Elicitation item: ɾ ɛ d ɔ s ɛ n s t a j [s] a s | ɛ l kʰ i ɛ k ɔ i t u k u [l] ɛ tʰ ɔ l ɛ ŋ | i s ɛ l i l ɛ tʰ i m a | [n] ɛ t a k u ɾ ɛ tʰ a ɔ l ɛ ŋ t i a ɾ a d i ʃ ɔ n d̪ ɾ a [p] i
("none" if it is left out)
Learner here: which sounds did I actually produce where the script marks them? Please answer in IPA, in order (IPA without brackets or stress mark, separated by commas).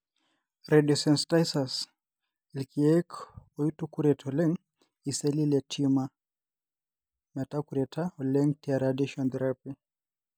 s, ɾ, m, p